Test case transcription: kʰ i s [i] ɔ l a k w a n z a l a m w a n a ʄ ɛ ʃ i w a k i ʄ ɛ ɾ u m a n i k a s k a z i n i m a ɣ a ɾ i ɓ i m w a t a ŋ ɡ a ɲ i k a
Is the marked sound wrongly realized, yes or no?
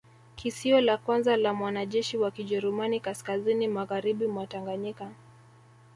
no